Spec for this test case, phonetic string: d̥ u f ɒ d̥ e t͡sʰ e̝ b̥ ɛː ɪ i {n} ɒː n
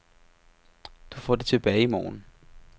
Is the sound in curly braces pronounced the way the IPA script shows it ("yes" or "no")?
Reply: no